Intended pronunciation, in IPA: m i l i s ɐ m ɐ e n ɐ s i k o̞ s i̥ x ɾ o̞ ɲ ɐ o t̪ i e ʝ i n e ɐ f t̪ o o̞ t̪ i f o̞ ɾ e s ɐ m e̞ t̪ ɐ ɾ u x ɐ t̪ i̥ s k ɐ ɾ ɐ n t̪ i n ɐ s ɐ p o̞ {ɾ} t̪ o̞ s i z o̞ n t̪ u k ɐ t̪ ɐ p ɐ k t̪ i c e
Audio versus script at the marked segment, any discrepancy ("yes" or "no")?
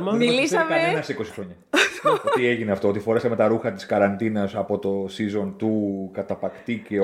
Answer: yes